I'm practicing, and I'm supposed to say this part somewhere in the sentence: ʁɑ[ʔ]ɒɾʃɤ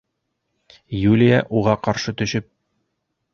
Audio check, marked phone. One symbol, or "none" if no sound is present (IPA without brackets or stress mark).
q